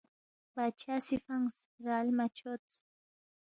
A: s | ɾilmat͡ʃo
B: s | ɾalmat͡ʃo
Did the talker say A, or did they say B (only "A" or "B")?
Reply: B